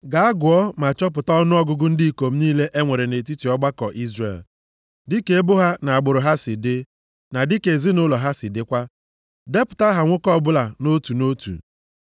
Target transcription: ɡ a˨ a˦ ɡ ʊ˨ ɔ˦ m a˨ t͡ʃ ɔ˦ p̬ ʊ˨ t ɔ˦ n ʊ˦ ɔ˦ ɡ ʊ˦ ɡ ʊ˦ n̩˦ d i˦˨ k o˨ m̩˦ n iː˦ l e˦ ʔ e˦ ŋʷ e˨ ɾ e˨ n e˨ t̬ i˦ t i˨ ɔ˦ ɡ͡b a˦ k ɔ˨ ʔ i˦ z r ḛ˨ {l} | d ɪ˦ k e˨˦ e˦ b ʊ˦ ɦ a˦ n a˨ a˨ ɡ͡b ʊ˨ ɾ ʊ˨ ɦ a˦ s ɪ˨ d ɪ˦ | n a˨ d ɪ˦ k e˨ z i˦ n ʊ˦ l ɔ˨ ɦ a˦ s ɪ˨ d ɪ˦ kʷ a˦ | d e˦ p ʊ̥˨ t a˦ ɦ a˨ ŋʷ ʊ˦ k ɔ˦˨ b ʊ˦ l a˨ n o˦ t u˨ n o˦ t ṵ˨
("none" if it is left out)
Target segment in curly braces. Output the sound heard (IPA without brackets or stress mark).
l